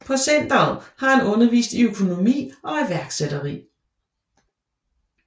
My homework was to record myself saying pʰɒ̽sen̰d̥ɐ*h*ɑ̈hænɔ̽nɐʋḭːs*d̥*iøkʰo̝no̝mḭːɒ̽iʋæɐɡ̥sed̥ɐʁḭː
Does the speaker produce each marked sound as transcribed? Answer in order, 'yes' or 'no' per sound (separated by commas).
yes, yes